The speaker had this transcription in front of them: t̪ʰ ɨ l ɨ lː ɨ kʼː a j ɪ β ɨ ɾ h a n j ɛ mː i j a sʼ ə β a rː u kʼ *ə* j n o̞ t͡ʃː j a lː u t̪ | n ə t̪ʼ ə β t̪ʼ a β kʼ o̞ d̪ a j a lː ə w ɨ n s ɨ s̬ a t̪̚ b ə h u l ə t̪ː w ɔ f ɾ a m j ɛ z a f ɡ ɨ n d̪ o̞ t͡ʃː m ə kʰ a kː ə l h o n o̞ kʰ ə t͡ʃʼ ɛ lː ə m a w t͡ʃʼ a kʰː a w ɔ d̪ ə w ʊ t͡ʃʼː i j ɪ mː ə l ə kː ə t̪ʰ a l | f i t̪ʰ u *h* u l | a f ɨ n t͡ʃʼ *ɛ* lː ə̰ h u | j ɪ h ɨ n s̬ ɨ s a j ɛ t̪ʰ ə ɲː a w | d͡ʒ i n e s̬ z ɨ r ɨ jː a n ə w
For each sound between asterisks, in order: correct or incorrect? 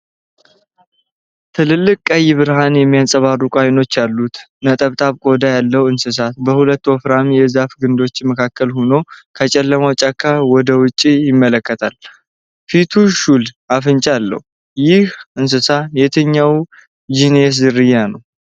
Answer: incorrect: a, incorrect: ʃ, incorrect: a

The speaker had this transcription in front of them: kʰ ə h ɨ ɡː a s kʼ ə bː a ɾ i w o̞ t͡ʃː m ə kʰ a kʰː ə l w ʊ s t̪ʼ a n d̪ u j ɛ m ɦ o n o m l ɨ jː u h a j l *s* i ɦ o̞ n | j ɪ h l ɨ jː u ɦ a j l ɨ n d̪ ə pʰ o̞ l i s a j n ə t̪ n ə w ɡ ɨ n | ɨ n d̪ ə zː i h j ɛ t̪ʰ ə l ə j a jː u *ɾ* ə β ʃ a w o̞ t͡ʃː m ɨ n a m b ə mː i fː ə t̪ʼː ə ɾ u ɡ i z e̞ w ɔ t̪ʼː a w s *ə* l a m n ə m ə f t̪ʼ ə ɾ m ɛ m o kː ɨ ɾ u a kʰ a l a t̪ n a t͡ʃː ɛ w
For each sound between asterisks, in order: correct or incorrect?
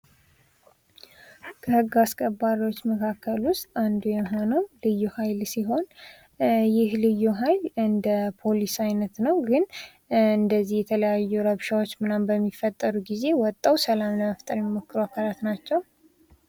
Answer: correct, correct, correct

